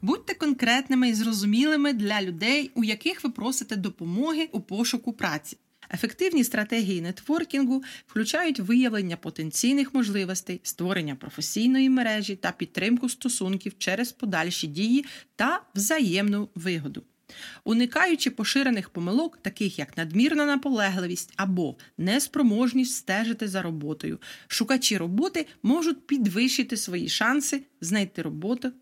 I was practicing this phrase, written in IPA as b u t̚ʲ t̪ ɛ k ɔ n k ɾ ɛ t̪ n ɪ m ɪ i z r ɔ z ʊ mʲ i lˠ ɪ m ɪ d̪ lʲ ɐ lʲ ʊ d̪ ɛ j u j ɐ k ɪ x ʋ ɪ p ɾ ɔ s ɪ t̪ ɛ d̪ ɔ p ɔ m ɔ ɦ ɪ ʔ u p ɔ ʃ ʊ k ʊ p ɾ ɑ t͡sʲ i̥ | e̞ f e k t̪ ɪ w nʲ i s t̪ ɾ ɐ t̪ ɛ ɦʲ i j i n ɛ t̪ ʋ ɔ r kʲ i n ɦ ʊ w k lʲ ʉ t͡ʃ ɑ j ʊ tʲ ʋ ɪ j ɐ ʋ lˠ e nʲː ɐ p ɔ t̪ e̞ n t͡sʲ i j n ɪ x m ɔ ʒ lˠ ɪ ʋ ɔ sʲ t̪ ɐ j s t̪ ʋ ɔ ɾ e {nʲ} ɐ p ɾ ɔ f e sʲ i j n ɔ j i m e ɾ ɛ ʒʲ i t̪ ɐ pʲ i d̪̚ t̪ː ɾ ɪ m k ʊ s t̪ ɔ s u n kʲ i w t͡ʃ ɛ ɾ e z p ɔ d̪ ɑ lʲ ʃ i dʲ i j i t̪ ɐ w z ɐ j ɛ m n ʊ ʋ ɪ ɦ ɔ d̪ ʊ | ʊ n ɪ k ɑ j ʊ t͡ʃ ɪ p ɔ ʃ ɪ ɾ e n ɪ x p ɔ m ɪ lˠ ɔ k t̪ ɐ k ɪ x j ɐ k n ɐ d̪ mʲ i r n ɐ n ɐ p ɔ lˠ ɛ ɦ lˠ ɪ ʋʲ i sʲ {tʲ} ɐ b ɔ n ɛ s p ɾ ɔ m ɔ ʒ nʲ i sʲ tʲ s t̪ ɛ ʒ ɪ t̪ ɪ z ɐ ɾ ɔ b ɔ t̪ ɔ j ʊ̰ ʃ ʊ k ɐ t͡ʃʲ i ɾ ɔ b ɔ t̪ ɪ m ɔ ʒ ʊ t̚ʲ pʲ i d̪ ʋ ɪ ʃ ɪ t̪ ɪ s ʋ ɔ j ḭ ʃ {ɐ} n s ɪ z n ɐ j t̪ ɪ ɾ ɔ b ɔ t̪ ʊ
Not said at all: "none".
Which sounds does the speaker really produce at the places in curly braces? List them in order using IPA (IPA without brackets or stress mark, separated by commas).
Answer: nʲː, tʲ, ɑ